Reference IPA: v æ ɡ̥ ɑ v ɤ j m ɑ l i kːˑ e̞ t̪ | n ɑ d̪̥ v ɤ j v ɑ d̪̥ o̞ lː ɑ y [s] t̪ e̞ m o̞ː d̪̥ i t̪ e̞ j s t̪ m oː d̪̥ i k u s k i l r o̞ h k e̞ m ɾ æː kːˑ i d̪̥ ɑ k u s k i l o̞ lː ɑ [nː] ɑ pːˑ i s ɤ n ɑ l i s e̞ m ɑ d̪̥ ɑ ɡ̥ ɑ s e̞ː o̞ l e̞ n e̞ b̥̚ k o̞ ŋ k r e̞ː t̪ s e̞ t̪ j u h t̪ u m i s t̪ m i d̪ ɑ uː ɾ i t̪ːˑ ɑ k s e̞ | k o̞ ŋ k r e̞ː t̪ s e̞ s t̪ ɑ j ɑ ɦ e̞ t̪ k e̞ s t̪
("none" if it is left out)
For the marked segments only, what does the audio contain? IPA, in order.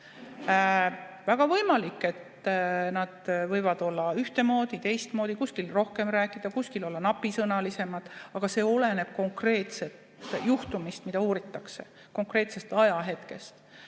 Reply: h, n

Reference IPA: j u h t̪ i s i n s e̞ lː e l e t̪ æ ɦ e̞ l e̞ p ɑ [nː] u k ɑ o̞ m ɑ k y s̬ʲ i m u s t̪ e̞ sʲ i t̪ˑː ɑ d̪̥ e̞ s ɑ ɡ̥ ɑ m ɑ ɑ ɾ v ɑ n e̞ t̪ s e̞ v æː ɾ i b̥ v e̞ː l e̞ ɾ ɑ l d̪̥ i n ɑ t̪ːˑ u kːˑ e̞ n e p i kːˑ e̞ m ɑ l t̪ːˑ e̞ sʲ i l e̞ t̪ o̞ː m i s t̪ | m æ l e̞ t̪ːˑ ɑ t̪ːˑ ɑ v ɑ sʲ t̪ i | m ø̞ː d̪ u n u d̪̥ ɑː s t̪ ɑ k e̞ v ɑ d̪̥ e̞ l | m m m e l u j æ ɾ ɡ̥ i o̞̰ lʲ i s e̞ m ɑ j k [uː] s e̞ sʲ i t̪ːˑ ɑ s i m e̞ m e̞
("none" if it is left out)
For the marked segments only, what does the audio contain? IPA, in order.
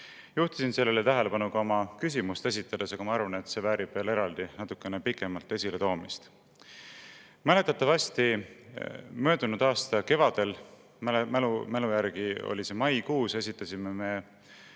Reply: n, uː

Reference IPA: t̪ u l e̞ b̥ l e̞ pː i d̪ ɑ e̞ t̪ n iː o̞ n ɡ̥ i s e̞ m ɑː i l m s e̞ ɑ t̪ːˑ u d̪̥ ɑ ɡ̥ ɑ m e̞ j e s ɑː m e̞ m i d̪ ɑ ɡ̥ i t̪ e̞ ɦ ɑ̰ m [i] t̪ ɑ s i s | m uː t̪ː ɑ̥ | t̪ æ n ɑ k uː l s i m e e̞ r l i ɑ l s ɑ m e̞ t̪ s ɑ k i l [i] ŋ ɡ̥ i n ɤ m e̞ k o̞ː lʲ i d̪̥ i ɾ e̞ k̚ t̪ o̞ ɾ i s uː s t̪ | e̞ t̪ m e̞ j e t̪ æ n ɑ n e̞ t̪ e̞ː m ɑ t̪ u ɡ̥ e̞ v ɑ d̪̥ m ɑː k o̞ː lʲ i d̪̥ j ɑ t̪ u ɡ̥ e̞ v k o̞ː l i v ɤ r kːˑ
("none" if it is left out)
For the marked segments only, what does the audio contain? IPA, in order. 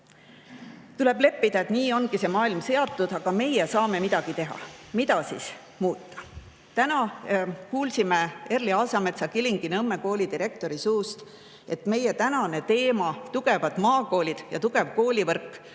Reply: i, i

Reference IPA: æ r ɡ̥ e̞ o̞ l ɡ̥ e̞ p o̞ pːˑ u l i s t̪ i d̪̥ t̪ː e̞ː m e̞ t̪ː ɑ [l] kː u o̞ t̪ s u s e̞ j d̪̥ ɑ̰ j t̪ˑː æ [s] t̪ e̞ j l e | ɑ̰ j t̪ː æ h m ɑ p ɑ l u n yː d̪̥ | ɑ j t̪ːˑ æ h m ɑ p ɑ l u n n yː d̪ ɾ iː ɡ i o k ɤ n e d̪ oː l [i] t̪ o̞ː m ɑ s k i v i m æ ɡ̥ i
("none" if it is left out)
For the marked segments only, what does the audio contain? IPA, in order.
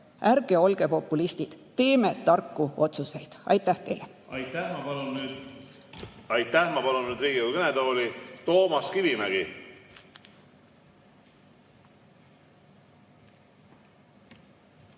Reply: r, h, i

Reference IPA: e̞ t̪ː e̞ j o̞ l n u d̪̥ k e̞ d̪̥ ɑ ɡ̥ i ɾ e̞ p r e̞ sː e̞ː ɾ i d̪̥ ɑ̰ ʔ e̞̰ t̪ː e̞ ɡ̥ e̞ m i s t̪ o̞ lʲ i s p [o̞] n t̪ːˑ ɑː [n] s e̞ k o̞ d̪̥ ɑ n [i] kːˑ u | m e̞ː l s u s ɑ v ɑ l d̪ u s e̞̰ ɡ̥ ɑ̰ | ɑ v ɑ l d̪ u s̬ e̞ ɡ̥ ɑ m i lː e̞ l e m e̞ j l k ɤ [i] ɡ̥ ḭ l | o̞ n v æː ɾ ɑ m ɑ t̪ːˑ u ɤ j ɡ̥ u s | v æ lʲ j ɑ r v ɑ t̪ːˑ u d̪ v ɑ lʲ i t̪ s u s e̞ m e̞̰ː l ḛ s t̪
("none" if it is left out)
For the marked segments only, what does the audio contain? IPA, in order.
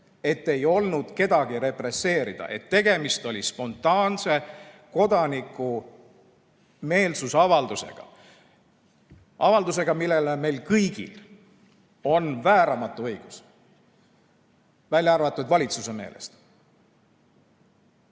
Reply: o̞, n, i, j

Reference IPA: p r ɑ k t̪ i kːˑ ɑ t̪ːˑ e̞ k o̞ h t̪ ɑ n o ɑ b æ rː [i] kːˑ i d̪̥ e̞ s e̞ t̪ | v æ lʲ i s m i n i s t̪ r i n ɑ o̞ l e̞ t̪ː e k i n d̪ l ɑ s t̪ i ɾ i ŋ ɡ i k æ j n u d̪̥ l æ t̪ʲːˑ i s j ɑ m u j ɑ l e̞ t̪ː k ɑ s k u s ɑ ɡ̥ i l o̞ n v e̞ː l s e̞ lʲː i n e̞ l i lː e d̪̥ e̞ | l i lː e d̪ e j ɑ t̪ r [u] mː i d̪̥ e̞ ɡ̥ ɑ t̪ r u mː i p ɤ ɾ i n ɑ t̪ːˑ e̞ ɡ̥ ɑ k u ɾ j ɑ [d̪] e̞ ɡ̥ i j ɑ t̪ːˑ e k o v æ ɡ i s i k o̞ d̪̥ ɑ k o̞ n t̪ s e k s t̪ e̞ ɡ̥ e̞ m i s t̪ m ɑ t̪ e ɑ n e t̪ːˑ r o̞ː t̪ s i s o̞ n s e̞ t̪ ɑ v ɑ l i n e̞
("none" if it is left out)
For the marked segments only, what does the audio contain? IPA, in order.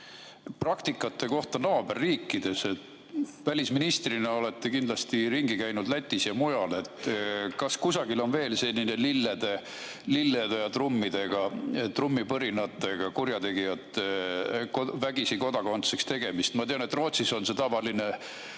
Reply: iː, u, t̪

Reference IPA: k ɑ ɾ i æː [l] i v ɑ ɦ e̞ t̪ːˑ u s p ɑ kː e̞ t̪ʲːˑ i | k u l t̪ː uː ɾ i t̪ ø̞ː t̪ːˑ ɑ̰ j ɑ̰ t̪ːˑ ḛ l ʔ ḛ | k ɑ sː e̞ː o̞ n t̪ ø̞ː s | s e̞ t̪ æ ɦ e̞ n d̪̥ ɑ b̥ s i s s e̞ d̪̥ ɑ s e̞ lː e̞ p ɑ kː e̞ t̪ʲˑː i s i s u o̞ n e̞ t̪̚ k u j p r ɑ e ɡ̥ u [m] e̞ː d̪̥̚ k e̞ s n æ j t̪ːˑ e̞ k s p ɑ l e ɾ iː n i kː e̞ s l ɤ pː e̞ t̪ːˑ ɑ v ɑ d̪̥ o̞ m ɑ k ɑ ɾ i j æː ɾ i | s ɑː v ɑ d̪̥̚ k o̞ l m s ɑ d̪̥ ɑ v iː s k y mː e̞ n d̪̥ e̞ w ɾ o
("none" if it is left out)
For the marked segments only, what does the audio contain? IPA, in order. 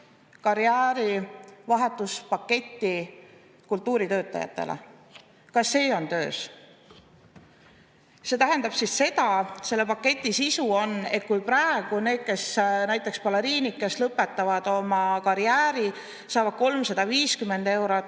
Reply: ɾ, n

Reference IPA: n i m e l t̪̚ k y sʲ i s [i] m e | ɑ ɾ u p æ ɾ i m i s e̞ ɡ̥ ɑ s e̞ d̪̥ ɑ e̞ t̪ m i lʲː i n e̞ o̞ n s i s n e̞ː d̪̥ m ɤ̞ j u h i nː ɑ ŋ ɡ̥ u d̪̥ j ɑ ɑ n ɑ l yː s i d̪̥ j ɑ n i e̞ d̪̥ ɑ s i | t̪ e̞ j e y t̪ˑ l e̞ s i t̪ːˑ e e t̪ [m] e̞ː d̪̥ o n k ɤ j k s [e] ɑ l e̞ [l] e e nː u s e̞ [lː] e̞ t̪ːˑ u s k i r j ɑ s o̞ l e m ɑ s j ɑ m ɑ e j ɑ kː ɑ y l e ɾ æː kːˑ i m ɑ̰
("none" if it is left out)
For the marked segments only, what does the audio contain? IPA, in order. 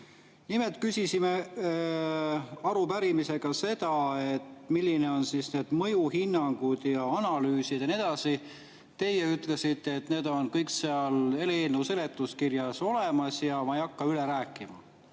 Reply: i, n, e, l, l

